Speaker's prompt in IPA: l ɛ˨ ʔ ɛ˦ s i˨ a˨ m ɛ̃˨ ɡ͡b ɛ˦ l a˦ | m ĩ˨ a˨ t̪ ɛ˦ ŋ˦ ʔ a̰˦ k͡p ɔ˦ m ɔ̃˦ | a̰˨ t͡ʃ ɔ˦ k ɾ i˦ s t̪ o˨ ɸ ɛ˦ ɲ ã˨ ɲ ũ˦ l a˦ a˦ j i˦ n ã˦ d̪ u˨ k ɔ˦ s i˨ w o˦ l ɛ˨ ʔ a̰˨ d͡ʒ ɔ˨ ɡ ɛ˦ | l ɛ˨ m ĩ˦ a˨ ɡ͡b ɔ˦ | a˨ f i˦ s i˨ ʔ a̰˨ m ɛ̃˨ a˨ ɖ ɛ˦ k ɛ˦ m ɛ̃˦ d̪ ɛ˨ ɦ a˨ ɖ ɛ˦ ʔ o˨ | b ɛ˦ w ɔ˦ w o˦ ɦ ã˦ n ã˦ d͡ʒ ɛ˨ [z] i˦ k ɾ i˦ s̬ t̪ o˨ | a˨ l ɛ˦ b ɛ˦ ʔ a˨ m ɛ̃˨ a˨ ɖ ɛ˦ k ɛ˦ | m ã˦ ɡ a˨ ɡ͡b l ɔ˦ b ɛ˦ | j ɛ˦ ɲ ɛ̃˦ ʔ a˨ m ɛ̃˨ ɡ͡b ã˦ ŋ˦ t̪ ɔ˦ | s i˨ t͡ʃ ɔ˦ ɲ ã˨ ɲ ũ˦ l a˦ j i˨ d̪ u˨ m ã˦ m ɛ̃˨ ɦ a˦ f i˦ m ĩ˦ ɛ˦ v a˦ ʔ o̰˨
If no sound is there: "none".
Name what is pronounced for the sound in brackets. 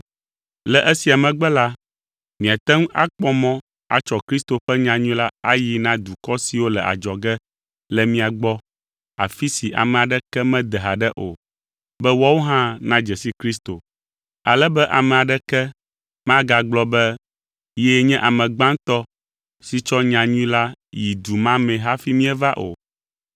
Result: s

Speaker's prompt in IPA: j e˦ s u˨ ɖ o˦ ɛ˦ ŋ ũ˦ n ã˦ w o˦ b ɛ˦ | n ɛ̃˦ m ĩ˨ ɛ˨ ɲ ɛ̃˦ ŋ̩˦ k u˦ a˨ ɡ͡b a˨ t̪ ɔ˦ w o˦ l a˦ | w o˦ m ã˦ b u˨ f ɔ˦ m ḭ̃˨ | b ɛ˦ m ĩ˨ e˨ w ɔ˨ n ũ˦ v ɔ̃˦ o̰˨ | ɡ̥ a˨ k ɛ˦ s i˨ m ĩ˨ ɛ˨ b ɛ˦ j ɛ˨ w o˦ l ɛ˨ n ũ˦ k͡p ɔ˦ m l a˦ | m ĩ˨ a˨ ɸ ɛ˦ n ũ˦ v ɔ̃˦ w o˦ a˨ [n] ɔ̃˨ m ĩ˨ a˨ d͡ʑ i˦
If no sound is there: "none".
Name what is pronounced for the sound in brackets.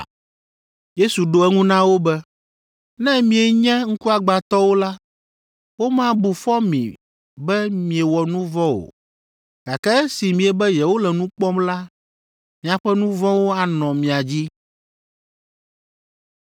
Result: n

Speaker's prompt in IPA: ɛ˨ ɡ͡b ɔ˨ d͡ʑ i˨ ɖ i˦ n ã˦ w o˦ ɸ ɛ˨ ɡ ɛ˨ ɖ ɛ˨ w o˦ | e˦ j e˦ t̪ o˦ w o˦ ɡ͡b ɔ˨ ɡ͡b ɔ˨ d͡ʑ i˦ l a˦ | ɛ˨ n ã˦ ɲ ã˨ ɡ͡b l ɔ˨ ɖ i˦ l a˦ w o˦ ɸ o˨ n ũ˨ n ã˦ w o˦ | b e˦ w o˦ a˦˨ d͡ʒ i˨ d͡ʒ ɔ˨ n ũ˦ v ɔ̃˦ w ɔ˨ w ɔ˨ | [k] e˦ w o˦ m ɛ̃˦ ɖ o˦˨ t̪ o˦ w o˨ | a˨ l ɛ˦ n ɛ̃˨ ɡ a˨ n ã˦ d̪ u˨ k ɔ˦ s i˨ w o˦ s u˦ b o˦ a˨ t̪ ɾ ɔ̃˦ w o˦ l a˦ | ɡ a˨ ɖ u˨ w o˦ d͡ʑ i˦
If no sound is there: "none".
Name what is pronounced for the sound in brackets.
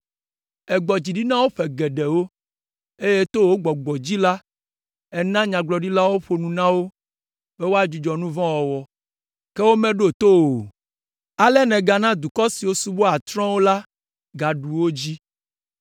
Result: k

